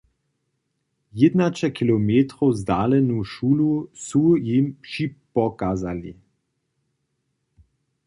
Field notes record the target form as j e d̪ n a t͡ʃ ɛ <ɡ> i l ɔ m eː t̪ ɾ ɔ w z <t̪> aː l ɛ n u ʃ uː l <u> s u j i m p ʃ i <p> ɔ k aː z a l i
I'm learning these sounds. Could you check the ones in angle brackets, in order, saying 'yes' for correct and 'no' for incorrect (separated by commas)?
no, no, yes, yes